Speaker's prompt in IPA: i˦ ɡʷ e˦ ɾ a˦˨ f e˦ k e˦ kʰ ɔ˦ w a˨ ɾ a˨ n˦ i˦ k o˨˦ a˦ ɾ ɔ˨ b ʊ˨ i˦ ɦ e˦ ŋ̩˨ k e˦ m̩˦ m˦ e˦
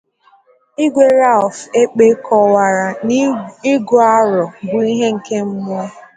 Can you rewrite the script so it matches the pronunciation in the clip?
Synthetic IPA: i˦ ɡʷ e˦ ɾ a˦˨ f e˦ k͡p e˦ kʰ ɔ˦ w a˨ ɾ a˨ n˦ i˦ ɡ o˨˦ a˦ ɾ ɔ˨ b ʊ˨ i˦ ɦ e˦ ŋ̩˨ k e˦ m̩˦ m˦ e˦